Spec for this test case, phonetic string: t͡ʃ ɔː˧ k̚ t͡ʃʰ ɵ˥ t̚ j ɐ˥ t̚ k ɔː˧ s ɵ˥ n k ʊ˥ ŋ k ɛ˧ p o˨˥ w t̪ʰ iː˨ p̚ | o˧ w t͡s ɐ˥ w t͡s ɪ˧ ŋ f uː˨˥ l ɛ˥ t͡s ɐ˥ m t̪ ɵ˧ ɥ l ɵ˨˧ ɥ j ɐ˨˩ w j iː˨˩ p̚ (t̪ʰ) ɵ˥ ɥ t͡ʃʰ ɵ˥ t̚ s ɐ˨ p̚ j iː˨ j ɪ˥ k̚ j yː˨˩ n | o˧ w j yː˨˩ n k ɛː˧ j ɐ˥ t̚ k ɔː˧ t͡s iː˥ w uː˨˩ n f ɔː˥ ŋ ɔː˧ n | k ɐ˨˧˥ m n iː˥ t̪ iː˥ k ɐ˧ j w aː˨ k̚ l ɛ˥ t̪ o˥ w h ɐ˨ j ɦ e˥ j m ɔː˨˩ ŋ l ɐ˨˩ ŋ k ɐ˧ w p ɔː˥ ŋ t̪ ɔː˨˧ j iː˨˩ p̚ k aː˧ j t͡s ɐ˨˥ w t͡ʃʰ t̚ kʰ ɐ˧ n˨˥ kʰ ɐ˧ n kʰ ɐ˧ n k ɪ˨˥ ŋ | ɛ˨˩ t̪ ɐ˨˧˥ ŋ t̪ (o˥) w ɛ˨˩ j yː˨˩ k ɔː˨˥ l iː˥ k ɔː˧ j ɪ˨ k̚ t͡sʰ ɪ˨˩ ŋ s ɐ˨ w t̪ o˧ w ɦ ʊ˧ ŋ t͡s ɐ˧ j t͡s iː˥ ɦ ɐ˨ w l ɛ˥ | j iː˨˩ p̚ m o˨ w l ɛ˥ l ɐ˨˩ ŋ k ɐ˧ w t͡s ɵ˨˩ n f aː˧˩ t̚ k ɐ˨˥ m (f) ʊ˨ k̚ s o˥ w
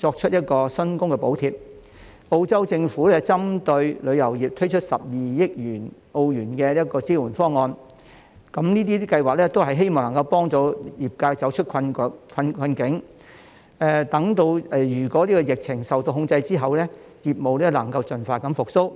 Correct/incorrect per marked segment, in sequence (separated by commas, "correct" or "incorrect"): correct, incorrect, correct